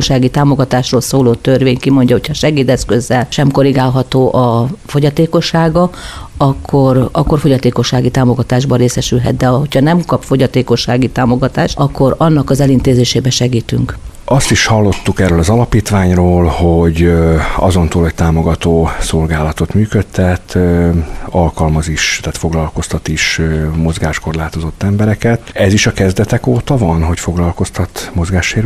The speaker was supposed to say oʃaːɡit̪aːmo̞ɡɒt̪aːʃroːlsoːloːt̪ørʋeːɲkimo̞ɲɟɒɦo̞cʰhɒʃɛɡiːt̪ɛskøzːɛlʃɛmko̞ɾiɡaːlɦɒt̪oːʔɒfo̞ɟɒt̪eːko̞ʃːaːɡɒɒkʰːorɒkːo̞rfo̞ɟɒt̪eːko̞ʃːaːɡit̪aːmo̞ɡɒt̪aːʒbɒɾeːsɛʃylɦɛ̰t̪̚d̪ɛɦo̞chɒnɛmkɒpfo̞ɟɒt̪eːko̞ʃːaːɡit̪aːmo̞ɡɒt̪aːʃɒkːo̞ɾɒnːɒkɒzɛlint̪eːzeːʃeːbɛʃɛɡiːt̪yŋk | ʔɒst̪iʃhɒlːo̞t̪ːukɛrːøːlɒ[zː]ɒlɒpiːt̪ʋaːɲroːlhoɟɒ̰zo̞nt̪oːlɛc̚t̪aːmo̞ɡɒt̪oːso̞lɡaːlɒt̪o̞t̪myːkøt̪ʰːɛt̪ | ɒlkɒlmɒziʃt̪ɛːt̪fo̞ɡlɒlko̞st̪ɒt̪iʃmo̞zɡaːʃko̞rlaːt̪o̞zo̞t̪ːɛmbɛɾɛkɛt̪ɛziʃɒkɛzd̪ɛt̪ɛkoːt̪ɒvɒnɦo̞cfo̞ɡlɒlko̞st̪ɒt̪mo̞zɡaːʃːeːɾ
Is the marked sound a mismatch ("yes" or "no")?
yes